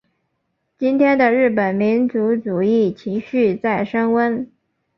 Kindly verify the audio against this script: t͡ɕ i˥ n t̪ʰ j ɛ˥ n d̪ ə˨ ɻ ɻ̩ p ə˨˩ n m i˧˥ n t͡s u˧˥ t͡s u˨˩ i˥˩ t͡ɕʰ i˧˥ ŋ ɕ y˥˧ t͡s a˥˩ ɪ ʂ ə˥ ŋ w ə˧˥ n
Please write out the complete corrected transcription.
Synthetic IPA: t͡ɕ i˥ n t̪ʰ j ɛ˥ n d̪ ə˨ ɻ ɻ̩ p ə˨˩ n m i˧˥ n t͡s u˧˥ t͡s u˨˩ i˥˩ t͡ɕʰ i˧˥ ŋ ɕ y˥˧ t͡s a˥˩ ɪ ʂ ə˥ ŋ w ə˥ n